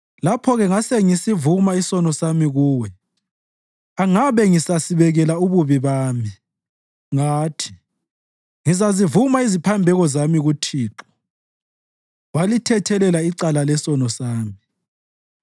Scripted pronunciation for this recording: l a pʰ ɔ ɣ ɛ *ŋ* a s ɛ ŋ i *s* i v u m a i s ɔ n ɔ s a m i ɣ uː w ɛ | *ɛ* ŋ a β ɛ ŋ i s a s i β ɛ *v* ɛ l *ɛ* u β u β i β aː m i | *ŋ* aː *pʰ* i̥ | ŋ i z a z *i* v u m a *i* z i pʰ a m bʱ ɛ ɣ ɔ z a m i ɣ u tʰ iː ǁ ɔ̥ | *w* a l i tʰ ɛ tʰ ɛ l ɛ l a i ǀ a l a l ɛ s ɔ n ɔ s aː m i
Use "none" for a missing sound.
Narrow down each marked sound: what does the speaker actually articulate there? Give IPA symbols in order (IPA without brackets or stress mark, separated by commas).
ŋ, s, a, ɣ, a, ŋ, tʰ, i, i, w